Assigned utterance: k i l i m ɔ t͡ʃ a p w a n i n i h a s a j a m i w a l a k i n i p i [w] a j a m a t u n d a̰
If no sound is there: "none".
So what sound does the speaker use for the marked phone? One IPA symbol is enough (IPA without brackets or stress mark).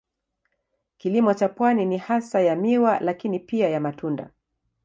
none